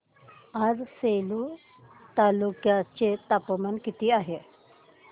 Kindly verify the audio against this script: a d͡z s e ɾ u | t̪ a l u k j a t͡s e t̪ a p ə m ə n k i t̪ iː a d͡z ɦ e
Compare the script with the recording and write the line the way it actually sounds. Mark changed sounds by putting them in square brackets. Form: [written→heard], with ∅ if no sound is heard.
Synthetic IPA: a d͡z s e [ɾ→l] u | t̪ a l u k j a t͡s e t̪ a p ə m ə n k i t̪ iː a [d͡z→∅] ɦ e